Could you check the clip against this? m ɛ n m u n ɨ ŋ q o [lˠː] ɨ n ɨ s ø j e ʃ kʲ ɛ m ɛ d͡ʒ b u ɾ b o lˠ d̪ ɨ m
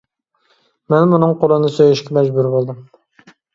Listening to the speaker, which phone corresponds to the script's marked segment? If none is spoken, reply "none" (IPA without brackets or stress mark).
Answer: lˠ